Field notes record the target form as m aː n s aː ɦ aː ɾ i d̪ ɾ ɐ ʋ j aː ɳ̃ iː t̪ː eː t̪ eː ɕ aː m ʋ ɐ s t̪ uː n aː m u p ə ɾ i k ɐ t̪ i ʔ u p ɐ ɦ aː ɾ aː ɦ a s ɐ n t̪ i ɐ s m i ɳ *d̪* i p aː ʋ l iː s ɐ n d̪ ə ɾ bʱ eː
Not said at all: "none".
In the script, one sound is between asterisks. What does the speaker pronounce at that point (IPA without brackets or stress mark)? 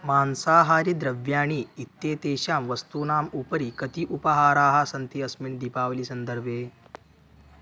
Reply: d̪